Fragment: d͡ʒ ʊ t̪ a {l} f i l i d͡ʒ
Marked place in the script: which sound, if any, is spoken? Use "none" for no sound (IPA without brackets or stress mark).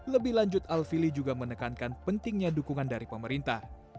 l